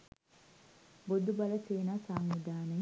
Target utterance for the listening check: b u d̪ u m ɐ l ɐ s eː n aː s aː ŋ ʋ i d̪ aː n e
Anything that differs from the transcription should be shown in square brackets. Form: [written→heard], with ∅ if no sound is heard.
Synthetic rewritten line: b [u→o] d̪ u [m→b] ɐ l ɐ s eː n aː s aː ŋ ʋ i d̪ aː n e